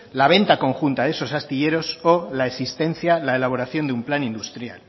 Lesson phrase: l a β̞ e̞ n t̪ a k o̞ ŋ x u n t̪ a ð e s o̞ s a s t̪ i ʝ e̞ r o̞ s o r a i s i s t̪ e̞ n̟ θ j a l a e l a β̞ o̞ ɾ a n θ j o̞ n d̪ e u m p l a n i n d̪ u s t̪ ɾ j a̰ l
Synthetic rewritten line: l a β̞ e̞ n t̪ a k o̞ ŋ x u n t̪ a ð e s o̞ s a s t̪ i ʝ e̞ ɾ o̞ s o l a e s i s t̪ e̞ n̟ θ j a l a e l a β̞ o̞ ɾ a θ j o̞ n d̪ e u m p l a n i n d̪ u s t̪ ɾ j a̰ l